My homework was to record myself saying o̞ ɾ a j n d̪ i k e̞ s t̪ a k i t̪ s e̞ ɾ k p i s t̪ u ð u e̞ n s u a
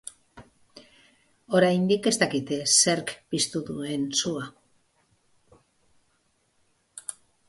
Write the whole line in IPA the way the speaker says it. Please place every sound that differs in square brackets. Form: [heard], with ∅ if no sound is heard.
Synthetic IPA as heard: o̞ ɾ a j n d̪ i k e̞ s t̪ a k i t̪ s e̞ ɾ k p i s t̪ u ð u e̞ n s u a